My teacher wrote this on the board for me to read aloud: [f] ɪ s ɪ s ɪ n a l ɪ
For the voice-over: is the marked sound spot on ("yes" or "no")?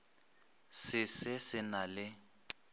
no